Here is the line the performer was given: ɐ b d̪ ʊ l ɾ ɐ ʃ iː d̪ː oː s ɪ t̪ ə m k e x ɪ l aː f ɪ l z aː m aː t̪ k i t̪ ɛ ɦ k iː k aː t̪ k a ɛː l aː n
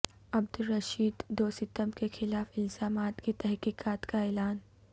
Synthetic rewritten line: ɐ b d̪ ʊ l ɾ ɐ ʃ iː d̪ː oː s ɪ t̪ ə m k e x ɪ l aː f ɪ l z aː m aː t̪ k i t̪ ɛ ɦ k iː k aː t̪ k a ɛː l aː n